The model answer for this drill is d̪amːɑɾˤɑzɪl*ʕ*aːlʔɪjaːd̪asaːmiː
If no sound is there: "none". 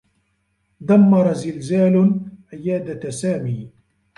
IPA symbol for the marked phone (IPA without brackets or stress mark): z